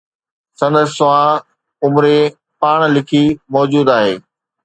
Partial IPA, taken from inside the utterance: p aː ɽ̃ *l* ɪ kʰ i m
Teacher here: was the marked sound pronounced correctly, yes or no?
yes